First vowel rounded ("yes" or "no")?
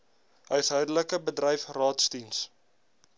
yes